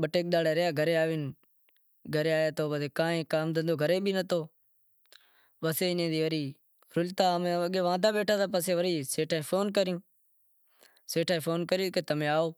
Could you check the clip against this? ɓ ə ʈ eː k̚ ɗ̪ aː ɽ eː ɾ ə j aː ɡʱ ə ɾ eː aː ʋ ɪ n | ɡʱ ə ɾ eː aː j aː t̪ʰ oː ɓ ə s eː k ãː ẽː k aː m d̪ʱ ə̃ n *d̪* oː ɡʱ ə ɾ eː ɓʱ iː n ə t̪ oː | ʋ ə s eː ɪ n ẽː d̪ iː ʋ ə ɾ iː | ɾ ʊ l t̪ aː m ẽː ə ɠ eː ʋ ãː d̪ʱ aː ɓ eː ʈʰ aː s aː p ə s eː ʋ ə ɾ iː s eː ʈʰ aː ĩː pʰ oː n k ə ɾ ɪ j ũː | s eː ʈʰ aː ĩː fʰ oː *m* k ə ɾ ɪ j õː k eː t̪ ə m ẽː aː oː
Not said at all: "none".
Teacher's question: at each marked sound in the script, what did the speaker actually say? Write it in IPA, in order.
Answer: d̪, n

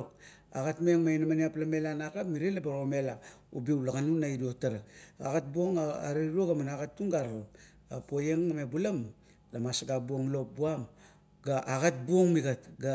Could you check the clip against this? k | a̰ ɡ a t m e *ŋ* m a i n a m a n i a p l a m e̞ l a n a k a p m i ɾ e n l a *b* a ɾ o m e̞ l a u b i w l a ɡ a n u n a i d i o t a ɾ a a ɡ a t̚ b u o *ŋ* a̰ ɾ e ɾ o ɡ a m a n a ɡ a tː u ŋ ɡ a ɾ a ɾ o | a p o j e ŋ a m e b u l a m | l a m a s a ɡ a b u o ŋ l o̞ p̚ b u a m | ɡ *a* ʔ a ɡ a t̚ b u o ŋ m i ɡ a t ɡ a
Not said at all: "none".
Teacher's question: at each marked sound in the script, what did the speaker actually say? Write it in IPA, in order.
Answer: ŋ, b, ŋ, a

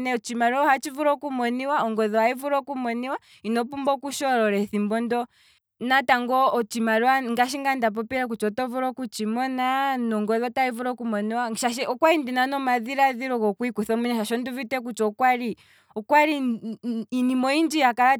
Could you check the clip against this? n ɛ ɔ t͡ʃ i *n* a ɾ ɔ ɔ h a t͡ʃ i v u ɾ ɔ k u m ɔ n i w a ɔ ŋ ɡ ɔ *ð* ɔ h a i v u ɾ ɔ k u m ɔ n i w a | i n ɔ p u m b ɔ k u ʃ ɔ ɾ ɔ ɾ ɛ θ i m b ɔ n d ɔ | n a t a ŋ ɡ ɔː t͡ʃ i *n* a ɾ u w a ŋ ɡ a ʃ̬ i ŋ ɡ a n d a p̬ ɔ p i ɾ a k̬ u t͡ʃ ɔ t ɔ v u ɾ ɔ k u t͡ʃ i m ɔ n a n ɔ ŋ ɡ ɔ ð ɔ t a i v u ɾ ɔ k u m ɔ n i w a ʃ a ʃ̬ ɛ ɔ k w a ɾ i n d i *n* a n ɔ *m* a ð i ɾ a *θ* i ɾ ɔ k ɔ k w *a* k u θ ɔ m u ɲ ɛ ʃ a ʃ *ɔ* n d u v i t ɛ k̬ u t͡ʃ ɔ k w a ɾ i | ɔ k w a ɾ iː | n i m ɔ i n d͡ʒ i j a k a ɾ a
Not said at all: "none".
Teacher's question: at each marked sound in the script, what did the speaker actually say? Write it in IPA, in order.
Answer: m, ð, m, n, m, ð, i, ɔ

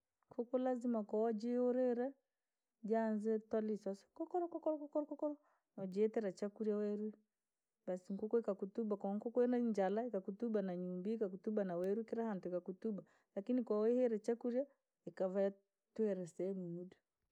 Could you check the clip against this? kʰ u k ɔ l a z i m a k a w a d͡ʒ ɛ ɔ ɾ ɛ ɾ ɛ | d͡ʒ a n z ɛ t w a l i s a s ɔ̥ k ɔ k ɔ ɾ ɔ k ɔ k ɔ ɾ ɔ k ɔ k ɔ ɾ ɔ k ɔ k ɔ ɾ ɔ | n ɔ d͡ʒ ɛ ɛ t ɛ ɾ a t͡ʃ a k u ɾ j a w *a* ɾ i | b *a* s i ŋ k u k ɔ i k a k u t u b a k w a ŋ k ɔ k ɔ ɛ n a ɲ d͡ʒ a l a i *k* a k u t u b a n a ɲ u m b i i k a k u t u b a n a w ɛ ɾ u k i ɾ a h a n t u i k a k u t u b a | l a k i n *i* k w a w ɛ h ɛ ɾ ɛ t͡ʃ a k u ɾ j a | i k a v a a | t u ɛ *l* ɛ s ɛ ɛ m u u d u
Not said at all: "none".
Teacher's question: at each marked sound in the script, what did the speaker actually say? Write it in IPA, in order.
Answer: ɛ, a, k, i, ɾ

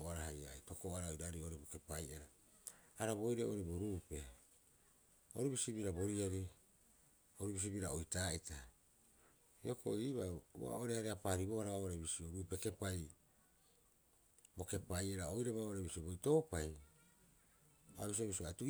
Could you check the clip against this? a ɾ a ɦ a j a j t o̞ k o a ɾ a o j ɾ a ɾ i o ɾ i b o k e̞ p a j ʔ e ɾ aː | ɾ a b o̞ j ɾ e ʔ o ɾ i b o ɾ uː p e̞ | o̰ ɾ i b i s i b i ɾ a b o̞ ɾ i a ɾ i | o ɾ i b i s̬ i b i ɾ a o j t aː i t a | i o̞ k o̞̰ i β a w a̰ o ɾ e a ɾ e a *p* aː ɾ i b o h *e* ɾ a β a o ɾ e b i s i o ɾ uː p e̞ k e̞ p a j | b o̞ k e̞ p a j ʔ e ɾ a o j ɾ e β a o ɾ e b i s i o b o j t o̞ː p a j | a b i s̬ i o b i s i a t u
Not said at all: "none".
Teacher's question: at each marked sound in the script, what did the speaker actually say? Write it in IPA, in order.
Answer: p, a

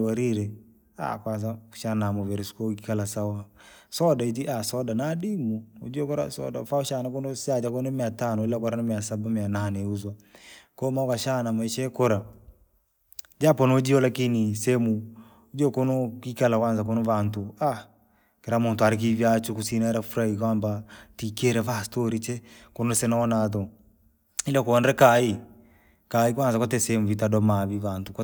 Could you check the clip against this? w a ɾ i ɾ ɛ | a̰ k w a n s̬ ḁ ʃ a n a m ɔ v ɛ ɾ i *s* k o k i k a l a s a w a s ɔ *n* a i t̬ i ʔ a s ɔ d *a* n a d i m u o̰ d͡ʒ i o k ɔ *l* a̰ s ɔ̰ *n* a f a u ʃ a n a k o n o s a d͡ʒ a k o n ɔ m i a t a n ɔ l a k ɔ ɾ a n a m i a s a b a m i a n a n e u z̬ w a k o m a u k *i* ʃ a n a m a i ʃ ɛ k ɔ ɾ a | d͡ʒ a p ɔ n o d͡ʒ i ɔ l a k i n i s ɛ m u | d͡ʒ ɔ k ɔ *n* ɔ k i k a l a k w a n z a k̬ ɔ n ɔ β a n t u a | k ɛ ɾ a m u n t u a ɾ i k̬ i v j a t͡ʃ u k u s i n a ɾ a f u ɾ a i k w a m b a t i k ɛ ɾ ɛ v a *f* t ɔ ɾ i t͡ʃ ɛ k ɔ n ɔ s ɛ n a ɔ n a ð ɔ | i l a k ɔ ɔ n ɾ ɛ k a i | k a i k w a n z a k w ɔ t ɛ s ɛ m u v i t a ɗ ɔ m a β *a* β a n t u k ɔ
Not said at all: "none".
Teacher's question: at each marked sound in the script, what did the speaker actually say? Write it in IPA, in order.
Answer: s, d, a, ɾ, d, a, n, s, i

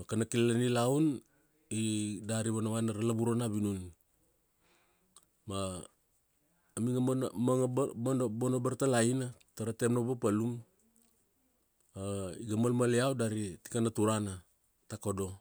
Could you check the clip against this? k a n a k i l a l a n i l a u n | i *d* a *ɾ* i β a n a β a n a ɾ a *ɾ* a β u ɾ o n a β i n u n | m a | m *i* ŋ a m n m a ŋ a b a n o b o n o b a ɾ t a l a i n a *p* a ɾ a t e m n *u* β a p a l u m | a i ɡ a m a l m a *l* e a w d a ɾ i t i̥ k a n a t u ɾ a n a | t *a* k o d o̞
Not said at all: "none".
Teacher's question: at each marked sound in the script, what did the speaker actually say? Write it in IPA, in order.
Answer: d, ɾ, l, i, t, o, l, a

